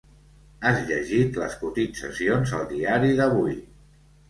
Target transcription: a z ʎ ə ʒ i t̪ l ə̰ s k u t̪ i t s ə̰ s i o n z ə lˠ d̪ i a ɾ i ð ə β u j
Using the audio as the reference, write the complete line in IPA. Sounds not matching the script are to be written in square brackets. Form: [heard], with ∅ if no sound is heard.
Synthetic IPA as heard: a z ʎ ə ʒ i t̪ l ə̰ s k u t̪ i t s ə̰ s i o n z ə lˠ d̪ i a ɾ i ð ə β u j